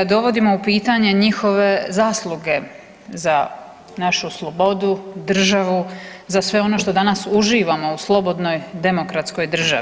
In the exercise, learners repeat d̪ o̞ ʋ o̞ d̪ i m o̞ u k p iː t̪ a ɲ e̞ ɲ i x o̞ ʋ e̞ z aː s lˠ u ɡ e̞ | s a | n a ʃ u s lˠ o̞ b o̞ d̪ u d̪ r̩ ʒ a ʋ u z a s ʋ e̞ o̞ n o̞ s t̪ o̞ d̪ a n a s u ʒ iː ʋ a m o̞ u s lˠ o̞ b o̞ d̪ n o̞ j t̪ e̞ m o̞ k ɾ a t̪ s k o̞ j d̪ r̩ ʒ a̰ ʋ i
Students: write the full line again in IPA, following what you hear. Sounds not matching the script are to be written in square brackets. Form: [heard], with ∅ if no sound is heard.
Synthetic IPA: d̪ o̞ ʋ o̞ d̪ i m o̞ u [∅] p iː t̪ a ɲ e̞ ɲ i x o̞ ʋ e̞ z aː s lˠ u ɡ e̞ | [z] a | n a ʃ u s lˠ o̞ b o̞ d̪ u d̪ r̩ ʒ a ʋ u z a s ʋ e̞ o̞ n o̞ [ʃ] t̪ o̞ d̪ a n a s u ʒ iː ʋ a m o̞ u s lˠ o̞ b o̞ d̪ n o̞ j [d̪] e̞ m o̞ k ɾ a t̪ s k o̞ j d̪ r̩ ʒ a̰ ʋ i